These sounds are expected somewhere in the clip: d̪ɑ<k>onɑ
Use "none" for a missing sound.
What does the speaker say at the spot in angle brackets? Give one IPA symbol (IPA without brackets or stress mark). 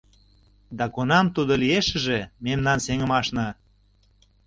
k